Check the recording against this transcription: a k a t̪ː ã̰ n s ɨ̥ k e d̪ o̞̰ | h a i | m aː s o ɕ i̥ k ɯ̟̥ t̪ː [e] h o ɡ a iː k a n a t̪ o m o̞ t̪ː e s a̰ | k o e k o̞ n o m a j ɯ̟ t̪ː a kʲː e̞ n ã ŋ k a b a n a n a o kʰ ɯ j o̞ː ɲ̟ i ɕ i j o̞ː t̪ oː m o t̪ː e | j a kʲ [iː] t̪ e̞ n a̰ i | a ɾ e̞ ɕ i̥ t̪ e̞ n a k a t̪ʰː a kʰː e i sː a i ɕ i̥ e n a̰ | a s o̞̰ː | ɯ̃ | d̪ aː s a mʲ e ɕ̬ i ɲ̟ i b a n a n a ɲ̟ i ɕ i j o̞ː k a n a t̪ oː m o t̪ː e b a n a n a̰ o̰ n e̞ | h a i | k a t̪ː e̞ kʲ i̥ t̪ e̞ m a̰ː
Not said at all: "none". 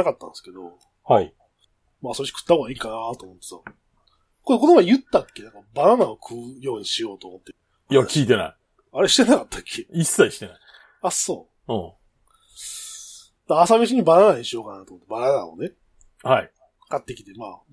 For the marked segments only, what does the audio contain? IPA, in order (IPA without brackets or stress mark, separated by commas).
a, iː